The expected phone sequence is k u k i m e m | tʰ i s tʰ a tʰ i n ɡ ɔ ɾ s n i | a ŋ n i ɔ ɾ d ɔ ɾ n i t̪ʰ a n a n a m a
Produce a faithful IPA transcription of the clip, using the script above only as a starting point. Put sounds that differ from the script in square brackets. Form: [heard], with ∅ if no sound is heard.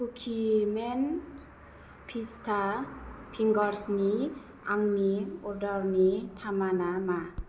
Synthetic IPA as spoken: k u [kʰ] i m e [n] | [pʰ] i s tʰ a [pʰ] i [ŋ] ɡ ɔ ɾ s n i | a ŋ n i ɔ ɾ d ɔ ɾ n i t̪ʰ a [m] a n a m a

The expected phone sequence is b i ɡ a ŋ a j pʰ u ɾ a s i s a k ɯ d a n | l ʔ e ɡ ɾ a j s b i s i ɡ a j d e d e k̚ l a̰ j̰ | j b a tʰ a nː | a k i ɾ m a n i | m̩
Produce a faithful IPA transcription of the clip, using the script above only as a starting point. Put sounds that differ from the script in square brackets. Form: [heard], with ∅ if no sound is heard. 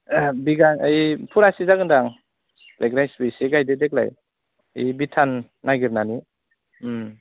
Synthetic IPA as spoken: b i ɡ a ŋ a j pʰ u ɾ a s i [z] a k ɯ d a [ŋ] | l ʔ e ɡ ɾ a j s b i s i ɡ a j d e d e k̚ l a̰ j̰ | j b [i] tʰ a nː | a [ɡ] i ɾ [n] a n i | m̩

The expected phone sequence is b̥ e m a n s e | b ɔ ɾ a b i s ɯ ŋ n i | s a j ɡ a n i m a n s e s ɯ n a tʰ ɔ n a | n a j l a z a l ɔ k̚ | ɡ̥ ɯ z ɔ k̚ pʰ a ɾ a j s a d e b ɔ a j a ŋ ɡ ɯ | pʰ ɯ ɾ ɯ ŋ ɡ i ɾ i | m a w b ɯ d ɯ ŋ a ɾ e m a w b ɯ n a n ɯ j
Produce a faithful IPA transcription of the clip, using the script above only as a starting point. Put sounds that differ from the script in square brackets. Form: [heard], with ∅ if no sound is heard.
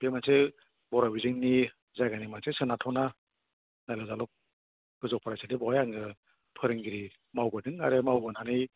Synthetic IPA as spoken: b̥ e m a n s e | b ɔ ɾ a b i [z] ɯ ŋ n i | [z] a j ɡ a n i m a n s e s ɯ n a tʰ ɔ n a | n a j l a z a l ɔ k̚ | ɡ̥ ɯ z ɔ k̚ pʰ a ɾ a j s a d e b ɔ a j a ŋ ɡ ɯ | pʰ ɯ ɾ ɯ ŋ ɡ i ɾ i | m a w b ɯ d ɯ ŋ a ɾ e m a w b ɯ n a n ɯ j

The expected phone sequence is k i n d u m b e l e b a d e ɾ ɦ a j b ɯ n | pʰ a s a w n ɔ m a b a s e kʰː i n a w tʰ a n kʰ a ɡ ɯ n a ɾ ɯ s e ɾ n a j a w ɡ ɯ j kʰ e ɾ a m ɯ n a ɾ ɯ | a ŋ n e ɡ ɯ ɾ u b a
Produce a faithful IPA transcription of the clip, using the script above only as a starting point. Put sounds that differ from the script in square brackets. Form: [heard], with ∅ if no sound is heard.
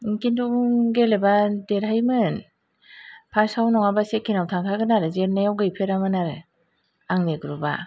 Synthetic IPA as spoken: k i n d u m [ɡ] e l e b a d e ɾ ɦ a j [m] ɯ n | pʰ a s a w n ɔ [ŋ] a b a s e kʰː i n a w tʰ a [ŋ] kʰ a ɡ ɯ n a ɾ ɯ [z] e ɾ n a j a w ɡ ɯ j [pʰ] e ɾ a m ɯ n a ɾ ɯ | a ŋ n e ɡ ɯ ɾ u b a

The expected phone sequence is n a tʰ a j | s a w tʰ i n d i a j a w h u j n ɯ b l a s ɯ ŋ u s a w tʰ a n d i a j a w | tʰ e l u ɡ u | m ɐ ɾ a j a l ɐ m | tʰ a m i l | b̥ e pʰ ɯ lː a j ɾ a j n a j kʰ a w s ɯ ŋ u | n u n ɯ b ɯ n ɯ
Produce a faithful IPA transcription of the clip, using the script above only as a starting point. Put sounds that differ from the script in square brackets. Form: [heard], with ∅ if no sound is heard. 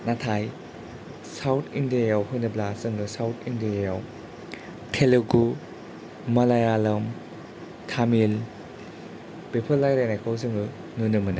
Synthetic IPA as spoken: n a tʰ a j | s a w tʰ i n d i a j a w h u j n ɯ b l a s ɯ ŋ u s a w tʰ [i] n d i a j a w | tʰ e l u ɡ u | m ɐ [l] a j a l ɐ m | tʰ a m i l | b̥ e pʰ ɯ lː a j ɾ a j n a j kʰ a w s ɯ ŋ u | n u n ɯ [m] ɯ n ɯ

